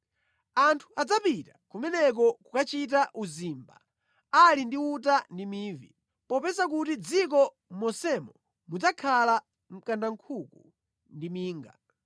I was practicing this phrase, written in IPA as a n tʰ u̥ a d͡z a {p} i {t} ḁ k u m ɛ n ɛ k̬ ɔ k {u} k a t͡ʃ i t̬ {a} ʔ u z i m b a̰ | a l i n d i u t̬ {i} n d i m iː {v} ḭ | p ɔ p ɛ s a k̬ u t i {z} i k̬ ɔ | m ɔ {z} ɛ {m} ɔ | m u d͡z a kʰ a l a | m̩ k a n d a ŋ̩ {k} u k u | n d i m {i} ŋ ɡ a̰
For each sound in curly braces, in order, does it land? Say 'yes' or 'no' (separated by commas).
yes, yes, yes, yes, no, yes, no, no, yes, no, no